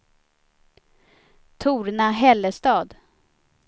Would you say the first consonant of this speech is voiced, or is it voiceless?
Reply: voiceless